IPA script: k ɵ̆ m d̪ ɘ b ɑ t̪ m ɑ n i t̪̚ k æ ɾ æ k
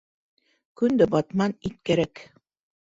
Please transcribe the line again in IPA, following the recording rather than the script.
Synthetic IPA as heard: k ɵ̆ n d̪ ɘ b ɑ t̪ m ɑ n i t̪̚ k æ ɾ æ k